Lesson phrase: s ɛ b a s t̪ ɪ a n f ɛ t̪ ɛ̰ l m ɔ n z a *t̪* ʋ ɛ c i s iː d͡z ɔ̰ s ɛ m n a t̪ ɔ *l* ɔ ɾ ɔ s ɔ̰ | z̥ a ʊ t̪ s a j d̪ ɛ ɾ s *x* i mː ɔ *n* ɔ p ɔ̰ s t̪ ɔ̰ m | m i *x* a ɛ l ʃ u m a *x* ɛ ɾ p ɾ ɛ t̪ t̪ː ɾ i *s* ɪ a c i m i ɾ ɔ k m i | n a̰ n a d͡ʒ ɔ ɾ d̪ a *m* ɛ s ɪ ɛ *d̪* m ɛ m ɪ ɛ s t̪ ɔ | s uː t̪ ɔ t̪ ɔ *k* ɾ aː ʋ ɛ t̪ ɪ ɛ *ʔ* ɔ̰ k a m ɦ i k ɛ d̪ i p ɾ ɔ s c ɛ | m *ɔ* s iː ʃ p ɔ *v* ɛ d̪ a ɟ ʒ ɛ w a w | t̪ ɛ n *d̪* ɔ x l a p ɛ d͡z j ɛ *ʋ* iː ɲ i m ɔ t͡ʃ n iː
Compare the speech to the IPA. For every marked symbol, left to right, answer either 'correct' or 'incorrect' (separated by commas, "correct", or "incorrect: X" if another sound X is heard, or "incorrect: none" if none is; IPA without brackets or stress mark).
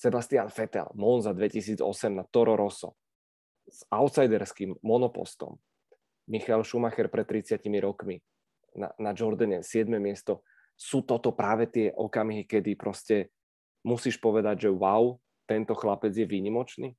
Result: incorrect: d̪, incorrect: ɾ, incorrect: k, correct, correct, correct, incorrect: t͡s, incorrect: ɲ, correct, incorrect: p, correct, incorrect: u, incorrect: ʋ, incorrect: t̪, correct